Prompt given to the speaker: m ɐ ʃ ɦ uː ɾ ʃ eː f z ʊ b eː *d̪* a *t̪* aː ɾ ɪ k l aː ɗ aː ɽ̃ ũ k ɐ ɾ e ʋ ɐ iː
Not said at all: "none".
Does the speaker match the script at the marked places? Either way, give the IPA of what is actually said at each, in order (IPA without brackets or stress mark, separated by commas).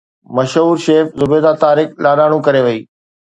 d̪, t̪